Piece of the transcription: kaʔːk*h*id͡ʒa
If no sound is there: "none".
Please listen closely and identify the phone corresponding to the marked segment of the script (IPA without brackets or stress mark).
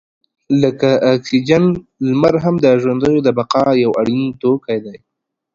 s